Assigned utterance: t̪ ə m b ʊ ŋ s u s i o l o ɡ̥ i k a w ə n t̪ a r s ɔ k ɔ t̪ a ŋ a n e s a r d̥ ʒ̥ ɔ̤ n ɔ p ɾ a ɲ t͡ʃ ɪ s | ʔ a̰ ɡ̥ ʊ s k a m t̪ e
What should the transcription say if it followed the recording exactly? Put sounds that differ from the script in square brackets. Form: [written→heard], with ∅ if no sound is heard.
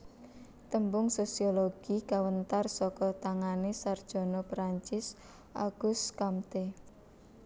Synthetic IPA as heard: t̪ ə m b ʊ ŋ s [u→o] s i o l o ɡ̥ i k a w ə n t̪ a r s ɔ k ɔ t̪ a ŋ a n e s a r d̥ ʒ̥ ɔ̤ n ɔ p ɾ a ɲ t͡ʃ ɪ s | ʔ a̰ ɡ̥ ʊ s k a m t̪ e